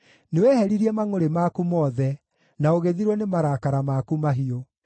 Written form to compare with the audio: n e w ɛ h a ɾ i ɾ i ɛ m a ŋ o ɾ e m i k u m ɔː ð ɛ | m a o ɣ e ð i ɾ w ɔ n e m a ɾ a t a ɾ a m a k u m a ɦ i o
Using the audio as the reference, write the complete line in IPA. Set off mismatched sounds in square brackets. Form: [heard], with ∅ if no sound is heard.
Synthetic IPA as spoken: n e w ɛ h [ɛ] ɾ i ɾ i ɛ m a ŋ o ɾ e m [a] k u m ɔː ð ɛ | [n] a o ɣ e ð i ɾ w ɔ n e m a ɾ a [k] a ɾ a m a k u m a ɦ i o

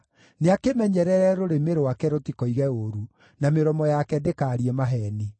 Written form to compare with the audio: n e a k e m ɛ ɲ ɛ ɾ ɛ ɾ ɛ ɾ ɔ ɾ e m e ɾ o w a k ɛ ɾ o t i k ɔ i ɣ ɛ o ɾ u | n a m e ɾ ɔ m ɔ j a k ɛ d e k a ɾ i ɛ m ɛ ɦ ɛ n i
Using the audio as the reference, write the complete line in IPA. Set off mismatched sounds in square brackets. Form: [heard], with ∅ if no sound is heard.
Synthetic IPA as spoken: n e a k e m ɛ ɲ ɛ ɾ ɛ ɾ ɛ ɾ [o] ɾ e m e ɾ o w a k ɛ ɾ o t i k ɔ i ɣ ɛ o ɾ u | n a m e ɾ ɔ m ɔ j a k ɛ d e k a ɾ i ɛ m [a] ɦ ɛ n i

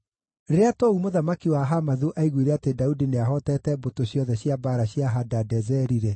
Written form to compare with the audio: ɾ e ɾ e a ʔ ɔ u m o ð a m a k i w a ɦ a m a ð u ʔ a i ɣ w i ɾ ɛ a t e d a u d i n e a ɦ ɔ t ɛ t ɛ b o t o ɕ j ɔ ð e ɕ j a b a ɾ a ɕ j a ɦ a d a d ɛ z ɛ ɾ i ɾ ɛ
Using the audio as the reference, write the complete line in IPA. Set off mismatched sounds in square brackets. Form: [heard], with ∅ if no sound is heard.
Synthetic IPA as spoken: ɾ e ɾ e a [t] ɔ u m o ð a m a k i w a ɦ a m a ð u ʔ a i ɣ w i ɾ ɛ a t e d a u d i n e a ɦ ɔ t ɛ t ɛ b o t o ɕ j ɔ ð [ɛ] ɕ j a b a ɾ a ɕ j a ɦ a d a d ɛ z ɛ ɾ i ɾ ɛ

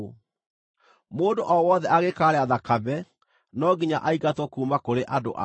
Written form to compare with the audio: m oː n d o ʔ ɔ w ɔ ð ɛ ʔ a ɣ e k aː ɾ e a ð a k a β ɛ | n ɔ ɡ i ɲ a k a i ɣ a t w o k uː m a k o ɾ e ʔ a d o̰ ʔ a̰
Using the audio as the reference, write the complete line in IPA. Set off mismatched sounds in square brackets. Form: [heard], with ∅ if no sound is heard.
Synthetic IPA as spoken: m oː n d o ʔ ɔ w ɔ ð ɛ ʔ a ɣ e k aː ɾ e a ð a k a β ɛ | n ɔ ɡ i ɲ a [ʔ] a i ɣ a t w [ɔ] k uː m a k o ɾ e ʔ a d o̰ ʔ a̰

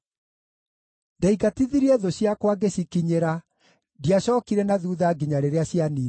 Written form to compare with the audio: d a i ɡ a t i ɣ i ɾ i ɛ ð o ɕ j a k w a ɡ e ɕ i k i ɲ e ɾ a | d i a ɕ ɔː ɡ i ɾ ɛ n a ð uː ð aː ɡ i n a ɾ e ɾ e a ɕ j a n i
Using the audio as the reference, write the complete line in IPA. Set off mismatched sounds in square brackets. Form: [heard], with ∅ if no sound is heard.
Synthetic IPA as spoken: d a i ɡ a t i [ð] i ɾ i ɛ ð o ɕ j a k w a ɡ e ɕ i k i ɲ e ɾ a | d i a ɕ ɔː [k] i ɾ ɛ n a ð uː ð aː ɡ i [ɲ] a ɾ e ɾ e a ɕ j a n i

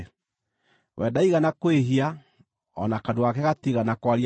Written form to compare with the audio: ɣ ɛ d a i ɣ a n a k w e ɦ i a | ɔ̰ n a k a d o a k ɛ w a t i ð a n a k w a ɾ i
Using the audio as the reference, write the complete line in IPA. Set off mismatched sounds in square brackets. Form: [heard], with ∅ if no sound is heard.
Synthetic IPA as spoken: [w] ɛ d a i ɣ a n a k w e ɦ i a | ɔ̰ n a k a d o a k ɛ [ɣ] a t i [ɣ] a n a k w a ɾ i

